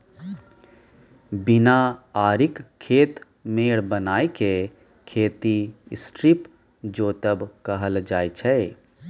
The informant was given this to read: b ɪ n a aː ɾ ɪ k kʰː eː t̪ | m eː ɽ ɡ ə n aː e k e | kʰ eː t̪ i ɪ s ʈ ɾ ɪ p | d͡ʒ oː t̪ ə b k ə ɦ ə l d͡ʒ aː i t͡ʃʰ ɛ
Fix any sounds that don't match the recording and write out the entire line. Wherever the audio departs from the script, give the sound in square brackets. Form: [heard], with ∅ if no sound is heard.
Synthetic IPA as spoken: b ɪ n a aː ɾ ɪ k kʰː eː t̪ | m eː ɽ [b] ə n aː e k e | kʰ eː t̪ i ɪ s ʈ ɾ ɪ p | d͡ʒ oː t̪ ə b k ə ɦ ə l d͡ʒ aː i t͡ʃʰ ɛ